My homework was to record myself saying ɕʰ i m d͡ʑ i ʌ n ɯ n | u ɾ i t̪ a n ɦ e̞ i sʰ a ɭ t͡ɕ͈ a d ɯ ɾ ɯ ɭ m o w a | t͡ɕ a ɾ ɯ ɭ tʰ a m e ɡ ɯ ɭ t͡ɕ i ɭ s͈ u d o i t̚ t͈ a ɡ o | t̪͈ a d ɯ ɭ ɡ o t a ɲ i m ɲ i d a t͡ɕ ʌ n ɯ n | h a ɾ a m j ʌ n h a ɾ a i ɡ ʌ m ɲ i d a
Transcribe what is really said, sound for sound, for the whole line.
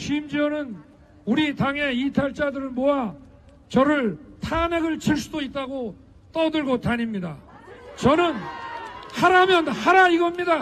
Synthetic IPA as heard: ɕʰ i m d͡ʑ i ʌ n ɯ n | u ɾ i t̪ a ŋ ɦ e̞ i tʰ a ɭ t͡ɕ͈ a d ɯ ɾ ɯ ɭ m o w a | t͡ɕ ʌ ɾ ɯ ɭ tʰ a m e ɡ ɯ ɭ t͡ɕ i ɭ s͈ u d o i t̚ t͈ a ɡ o | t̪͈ ʌ d ɯ ɭ ɡ o t a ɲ i m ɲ i d a t͡ɕ ʌ n ɯ n | h a ɾ a m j ʌ n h a ɾ a i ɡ ʌ m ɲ i d a